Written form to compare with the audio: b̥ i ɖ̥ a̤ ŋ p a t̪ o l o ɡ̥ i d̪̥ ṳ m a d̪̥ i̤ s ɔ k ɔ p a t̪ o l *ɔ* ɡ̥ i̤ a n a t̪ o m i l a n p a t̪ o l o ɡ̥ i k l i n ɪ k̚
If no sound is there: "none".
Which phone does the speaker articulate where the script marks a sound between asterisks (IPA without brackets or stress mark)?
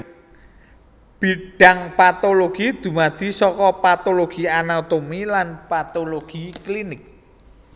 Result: o